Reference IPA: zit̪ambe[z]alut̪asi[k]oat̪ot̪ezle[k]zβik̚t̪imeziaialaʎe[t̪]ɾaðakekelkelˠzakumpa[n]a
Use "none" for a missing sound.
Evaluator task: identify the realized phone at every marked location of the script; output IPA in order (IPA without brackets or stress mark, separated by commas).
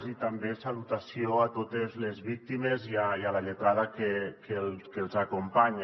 s, none, none, t̪, ɲ